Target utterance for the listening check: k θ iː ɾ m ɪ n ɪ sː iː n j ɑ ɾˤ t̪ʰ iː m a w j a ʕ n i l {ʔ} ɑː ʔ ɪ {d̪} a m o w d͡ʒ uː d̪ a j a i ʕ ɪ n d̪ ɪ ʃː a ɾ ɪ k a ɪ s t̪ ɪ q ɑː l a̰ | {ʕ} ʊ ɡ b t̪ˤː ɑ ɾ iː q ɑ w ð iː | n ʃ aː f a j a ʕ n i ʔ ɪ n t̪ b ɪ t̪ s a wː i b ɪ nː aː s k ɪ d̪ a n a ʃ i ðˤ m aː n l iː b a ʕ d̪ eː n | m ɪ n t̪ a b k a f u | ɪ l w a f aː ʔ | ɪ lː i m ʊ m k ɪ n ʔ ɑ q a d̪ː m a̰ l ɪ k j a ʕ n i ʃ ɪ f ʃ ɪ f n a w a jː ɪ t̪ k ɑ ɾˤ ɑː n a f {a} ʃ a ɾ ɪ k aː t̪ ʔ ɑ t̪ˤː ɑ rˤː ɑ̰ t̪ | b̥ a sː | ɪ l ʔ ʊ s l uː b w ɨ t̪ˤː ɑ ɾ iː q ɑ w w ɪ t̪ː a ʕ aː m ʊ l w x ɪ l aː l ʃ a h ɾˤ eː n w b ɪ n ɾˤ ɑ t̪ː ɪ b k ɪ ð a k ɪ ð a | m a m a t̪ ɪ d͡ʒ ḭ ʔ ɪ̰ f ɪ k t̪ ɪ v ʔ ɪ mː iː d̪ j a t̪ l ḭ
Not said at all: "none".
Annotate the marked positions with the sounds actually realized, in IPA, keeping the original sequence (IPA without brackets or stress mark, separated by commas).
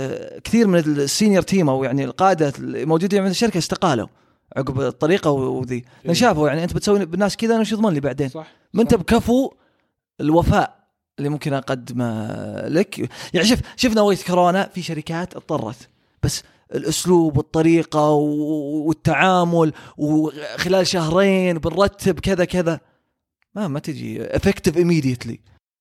q, d̪, ʕ, i